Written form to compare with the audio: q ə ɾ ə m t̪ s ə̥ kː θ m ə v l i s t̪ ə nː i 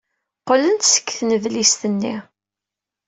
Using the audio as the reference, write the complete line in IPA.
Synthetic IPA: q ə l ə n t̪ s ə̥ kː θ n ə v l i s t̪ ə nː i